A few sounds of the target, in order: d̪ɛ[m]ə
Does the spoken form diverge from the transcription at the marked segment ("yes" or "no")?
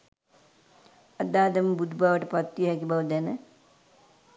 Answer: yes